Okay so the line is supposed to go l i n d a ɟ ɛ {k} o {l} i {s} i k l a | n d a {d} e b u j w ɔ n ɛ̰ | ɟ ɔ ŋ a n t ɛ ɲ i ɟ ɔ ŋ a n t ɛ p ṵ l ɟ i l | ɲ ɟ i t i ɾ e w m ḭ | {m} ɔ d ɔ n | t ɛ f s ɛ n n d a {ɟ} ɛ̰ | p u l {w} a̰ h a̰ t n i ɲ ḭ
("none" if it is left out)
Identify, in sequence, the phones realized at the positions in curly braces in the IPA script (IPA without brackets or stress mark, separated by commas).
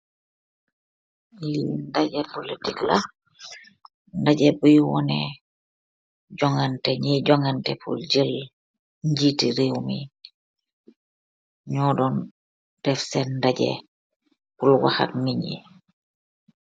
p, l, t, ɟ, ɲ, ɟ, w